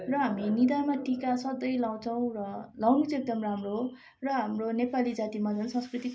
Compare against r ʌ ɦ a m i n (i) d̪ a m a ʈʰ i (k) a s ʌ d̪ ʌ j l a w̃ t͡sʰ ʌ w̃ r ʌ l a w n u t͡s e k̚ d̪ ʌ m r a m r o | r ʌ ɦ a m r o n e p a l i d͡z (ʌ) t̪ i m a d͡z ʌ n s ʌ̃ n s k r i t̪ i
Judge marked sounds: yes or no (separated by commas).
yes, yes, no